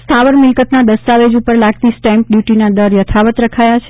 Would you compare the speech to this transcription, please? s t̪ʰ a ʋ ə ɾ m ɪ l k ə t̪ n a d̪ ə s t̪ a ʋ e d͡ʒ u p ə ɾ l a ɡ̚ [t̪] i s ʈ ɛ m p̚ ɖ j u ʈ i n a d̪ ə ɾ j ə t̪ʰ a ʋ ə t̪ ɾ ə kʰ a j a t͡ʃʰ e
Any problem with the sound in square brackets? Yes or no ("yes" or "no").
no